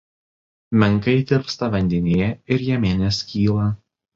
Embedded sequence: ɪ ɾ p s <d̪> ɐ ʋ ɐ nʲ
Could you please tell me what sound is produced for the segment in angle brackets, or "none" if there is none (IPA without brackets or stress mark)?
t̪